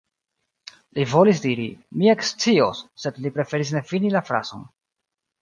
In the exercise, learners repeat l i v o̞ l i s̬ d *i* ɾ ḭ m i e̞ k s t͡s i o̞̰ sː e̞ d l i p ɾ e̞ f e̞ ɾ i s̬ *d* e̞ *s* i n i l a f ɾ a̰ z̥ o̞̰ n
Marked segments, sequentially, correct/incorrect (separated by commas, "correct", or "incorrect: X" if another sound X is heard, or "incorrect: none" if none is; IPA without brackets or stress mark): correct, incorrect: n, incorrect: f